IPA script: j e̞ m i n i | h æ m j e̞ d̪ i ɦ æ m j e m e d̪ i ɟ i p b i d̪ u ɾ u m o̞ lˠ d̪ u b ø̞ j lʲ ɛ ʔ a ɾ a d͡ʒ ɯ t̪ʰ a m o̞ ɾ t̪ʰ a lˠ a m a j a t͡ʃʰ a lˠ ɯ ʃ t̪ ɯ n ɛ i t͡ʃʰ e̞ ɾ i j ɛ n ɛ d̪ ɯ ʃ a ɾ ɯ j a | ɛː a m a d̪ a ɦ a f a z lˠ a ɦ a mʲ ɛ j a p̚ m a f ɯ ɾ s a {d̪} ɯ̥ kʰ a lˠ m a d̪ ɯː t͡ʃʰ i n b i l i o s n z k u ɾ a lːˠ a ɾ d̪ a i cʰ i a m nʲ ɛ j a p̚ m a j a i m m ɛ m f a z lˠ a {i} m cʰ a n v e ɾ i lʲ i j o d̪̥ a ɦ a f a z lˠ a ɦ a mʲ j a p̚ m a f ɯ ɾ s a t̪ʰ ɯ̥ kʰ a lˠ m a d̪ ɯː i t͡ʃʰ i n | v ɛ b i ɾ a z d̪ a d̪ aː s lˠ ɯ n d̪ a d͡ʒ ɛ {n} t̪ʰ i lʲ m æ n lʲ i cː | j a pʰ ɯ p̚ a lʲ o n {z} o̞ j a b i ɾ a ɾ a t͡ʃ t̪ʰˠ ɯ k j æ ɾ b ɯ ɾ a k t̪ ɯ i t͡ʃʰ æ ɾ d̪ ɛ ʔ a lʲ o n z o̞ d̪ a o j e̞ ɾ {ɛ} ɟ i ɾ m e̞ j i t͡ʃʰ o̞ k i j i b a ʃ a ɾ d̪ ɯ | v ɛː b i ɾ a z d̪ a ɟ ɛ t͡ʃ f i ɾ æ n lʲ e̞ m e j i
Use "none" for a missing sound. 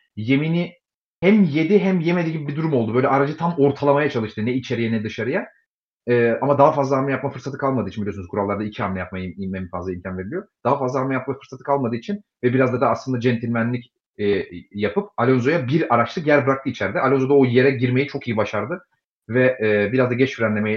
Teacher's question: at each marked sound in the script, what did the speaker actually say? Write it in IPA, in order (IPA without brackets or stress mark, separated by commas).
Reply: t̪, i, n, z, ɛ